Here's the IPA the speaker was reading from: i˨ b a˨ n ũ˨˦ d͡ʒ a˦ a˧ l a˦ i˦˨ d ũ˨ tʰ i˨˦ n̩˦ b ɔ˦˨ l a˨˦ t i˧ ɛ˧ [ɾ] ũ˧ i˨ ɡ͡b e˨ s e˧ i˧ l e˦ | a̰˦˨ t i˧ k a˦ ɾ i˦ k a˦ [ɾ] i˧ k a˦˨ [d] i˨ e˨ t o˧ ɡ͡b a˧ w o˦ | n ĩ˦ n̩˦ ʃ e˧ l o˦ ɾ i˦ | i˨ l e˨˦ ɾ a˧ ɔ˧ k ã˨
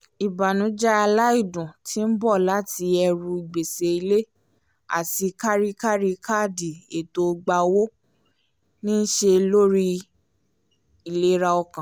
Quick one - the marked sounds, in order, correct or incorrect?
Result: correct, correct, correct

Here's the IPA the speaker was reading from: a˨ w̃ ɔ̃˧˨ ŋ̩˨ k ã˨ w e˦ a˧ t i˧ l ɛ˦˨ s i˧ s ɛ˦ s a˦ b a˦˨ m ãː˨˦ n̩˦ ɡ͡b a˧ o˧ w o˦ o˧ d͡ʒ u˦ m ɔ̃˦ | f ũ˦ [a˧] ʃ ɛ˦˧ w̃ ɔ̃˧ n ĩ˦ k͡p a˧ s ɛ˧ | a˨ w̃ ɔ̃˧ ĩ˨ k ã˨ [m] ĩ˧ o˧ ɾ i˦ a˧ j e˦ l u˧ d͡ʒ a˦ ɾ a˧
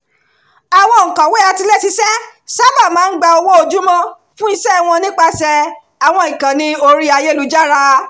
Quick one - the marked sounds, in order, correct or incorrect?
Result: incorrect: i˧, incorrect: n

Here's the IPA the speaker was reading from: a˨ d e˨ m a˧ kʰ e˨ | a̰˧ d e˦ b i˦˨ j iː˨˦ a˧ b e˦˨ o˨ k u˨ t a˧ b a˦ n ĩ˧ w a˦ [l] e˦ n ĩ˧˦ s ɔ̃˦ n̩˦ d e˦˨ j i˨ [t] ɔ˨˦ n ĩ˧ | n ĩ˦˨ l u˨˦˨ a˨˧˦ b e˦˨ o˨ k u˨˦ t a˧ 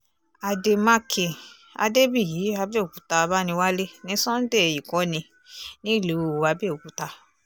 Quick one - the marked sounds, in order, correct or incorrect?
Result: correct, incorrect: k

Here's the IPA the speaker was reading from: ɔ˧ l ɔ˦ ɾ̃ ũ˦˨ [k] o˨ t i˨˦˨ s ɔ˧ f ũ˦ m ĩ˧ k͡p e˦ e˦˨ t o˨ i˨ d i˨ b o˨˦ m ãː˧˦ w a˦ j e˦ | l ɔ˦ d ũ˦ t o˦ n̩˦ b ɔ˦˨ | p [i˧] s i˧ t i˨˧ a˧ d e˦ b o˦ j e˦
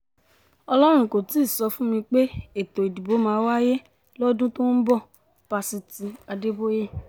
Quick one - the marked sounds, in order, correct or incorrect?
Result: correct, incorrect: a˧

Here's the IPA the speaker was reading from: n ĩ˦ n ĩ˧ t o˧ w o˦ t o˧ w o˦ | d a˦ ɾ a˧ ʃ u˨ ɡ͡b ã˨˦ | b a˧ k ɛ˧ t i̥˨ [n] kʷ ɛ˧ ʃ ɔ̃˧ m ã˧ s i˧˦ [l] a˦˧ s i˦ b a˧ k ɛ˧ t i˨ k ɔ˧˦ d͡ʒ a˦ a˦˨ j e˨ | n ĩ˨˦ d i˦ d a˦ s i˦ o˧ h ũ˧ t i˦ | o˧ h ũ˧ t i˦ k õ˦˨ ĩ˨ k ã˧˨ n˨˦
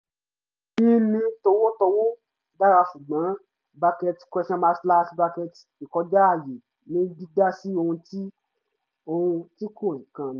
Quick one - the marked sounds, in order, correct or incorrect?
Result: incorrect: none, correct

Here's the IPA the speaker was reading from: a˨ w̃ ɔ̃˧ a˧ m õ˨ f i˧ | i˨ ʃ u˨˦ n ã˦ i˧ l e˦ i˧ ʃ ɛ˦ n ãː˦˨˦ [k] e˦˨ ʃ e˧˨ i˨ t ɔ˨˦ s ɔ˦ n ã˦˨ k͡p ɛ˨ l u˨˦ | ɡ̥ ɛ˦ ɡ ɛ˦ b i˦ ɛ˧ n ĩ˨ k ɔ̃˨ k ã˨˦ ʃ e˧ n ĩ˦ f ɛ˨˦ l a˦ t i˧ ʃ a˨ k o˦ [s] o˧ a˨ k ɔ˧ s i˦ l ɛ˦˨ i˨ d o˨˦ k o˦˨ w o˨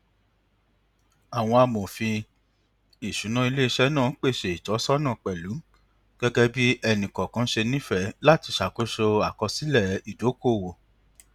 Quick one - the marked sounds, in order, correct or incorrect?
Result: incorrect: k͡p, incorrect: ʃ

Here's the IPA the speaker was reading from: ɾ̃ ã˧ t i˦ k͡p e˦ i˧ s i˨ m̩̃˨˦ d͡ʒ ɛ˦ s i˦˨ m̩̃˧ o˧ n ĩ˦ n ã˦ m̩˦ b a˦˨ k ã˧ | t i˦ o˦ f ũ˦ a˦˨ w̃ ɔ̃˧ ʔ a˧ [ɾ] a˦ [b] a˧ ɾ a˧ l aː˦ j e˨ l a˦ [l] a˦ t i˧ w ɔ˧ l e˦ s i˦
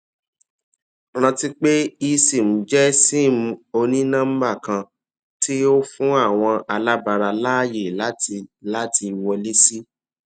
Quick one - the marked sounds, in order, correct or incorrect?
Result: incorrect: l, correct, correct

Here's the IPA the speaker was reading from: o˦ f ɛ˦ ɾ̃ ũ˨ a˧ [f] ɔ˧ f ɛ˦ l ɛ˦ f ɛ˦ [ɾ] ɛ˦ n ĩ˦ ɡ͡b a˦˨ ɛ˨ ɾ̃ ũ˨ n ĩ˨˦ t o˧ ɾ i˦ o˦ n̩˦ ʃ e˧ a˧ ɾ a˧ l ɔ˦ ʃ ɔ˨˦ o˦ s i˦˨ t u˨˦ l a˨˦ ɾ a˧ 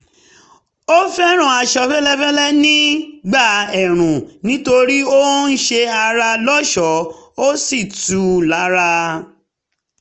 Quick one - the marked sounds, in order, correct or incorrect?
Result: incorrect: ʃ, incorrect: l

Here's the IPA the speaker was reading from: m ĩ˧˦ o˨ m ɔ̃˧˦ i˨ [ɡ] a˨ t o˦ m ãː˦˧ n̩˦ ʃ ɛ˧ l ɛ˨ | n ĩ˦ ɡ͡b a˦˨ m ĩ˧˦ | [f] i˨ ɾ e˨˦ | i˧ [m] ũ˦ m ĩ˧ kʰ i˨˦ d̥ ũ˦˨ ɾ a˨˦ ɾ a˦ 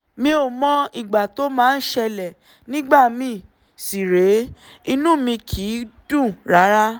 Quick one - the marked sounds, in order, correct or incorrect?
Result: incorrect: ɡ͡b, incorrect: s, incorrect: n

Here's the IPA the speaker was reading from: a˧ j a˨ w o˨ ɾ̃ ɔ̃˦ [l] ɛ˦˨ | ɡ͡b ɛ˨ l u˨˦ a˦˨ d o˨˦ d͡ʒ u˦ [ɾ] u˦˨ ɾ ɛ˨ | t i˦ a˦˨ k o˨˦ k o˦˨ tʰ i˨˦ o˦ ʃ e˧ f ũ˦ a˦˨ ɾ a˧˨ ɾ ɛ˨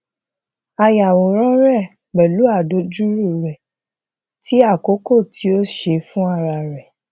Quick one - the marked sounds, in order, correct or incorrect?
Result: incorrect: ɾ, correct

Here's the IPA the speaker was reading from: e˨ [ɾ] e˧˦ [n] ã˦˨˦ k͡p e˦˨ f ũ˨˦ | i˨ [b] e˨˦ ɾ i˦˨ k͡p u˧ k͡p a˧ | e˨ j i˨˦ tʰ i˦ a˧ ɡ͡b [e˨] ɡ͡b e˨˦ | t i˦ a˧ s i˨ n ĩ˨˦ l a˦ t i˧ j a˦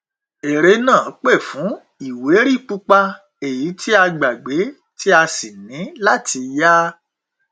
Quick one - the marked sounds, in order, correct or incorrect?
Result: correct, correct, incorrect: w, incorrect: a˨

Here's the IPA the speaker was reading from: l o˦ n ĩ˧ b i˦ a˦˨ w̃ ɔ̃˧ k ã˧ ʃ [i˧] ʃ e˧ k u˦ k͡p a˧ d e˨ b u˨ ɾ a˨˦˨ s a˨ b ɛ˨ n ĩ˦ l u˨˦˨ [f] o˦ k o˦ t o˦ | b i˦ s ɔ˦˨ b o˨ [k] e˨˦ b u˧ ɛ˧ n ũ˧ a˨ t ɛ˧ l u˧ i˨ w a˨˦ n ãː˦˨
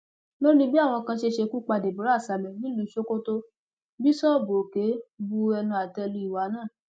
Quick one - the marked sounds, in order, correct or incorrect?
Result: incorrect: e˧, incorrect: ʃ, correct

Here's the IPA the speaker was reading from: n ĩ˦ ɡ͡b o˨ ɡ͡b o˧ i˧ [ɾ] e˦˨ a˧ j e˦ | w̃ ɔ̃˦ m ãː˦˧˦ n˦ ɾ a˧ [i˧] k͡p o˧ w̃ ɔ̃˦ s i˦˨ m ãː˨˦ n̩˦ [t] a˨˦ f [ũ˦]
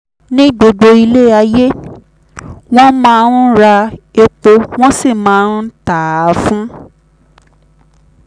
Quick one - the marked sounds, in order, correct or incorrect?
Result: incorrect: l, incorrect: e˧, correct, correct

